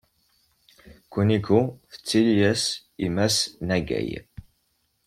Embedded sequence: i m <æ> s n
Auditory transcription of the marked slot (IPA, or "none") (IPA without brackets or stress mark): æ